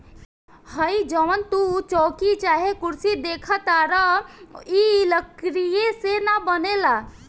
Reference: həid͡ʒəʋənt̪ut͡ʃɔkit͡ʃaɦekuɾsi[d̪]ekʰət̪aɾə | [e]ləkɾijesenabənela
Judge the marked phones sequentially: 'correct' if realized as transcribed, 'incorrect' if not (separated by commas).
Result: correct, incorrect